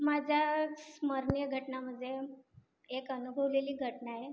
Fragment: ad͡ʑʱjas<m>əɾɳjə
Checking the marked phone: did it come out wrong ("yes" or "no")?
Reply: no